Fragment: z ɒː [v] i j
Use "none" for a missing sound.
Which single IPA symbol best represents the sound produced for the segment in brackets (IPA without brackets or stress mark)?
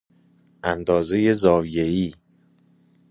v